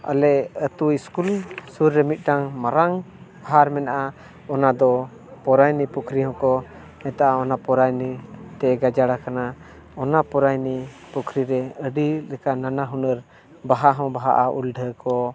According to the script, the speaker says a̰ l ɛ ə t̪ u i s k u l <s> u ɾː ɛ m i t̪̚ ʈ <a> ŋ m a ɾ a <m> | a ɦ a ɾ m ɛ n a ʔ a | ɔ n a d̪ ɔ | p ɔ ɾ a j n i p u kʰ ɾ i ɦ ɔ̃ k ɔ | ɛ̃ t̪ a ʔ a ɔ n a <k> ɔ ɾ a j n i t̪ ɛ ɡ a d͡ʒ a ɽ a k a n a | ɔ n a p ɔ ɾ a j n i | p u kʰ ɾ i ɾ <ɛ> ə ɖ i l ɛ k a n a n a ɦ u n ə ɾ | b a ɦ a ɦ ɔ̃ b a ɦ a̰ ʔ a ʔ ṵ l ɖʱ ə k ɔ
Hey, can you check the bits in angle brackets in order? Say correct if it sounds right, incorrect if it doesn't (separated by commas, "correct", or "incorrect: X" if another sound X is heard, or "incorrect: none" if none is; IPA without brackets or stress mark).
correct, correct, incorrect: ŋ, incorrect: p, correct